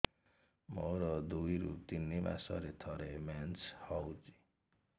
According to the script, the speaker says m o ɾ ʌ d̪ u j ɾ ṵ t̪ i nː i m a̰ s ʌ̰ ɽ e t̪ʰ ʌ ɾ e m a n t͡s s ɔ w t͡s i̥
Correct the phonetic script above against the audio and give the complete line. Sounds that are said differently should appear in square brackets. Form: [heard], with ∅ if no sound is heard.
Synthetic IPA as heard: m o ɾ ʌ d̪ u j ɾ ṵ t̪ i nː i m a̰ s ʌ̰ [ɾ] e t̪ʰ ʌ ɾ e m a n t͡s [h] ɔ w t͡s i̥